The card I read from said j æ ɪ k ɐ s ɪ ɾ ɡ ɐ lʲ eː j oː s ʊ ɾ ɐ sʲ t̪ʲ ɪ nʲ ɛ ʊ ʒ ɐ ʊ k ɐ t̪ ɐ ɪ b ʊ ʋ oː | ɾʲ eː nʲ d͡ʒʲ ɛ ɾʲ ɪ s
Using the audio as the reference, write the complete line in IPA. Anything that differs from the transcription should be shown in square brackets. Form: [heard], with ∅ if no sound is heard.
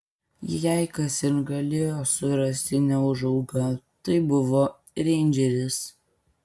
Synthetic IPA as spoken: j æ ɪ k ɐ s ɪ ɾ ɡ ɐ lʲ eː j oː s ʊ ɾ ɐ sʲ t̪ʲ ɪ nʲ ɛ ʊ ʒ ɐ ʊ [ɡ] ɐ t̪ ɐ ɪ b ʊ ʋ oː | ɾʲ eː nʲ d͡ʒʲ ɛ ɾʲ ɪ s